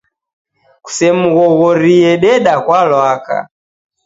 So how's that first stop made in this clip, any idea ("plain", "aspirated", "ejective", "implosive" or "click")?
plain